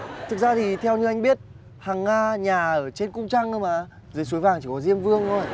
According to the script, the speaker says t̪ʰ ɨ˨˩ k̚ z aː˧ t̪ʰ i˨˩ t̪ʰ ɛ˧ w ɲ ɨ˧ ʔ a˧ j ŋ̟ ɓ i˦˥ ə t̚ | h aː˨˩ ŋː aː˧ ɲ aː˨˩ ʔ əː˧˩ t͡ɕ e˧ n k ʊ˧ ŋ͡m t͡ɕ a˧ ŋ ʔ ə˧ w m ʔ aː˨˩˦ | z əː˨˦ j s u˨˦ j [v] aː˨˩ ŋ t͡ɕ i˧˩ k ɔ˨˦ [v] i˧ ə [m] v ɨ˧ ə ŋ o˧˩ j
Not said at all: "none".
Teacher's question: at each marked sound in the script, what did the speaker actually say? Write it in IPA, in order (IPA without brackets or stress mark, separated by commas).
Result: v, z, m